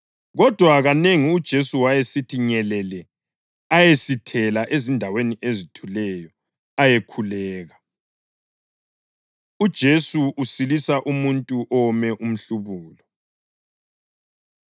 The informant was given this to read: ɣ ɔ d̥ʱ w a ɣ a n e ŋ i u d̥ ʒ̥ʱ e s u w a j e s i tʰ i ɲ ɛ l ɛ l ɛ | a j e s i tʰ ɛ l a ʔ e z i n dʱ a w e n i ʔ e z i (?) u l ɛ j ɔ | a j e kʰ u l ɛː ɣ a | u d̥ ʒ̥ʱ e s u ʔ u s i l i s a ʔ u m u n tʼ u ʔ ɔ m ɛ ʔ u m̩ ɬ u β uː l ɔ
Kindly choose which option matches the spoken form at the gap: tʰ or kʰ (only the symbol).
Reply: tʰ